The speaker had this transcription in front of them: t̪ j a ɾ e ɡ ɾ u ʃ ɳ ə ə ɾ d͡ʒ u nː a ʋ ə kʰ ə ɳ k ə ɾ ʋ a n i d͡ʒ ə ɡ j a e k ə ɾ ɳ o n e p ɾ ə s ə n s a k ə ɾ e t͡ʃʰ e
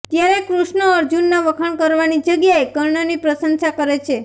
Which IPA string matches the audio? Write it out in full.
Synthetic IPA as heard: t̪ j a ɾ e k ɾ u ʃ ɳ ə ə ɾ d͡ʒ u nː a ʋ ə kʰ ə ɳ k ə ɾ ʋ a n i d͡ʒ ə ɡ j a e k ə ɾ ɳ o n i p ɾ ə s ə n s a k ə ɾ e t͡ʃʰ e